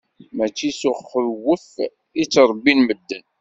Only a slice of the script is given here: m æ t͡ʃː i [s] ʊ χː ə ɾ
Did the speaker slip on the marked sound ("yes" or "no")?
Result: no